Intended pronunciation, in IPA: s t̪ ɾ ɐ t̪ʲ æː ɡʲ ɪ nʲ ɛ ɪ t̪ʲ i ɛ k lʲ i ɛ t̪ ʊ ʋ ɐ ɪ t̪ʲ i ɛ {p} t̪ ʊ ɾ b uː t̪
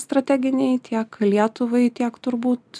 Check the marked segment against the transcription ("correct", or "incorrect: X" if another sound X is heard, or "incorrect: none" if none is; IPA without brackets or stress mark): incorrect: k